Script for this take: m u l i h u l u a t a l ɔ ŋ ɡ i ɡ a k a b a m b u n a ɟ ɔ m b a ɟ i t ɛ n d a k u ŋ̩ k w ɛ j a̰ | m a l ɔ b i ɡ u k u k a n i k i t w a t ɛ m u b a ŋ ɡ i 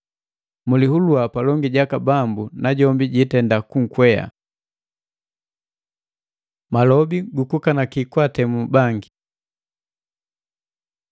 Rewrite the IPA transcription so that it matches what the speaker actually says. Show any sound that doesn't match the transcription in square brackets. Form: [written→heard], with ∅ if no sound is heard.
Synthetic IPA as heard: m u l i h u l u a [t→p] a l ɔ ŋ ɡ i [ɡ→ɟ] a k a b a m b u n a ɟ ɔ m b [a→i] ɟ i t ɛ n d a k u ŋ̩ k w ɛ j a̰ | m a l ɔ b i ɡ u k u k a n [i→a] k i [t→k] w a t ɛ m u b a ŋ ɡ i